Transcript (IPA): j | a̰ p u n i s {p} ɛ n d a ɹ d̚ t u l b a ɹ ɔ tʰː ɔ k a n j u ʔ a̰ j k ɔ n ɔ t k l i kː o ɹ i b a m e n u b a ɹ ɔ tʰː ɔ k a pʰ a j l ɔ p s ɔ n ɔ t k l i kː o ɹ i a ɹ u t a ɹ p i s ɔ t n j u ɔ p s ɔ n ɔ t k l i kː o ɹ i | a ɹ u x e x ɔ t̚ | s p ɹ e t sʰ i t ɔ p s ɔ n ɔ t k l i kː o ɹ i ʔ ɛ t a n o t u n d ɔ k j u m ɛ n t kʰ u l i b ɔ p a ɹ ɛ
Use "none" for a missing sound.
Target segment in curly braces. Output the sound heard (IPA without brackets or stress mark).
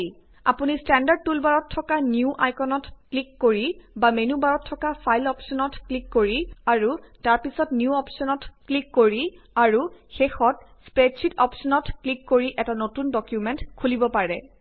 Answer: t